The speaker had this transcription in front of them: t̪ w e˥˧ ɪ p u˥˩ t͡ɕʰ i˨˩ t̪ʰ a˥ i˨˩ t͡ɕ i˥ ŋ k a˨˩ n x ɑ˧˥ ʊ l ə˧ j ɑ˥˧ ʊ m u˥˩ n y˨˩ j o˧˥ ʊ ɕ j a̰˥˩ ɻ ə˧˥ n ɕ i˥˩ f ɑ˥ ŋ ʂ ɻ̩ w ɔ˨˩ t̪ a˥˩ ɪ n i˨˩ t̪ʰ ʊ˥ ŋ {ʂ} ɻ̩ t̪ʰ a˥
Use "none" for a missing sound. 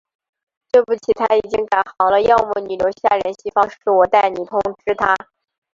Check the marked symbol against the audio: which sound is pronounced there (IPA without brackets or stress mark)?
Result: ʈ͡ʂ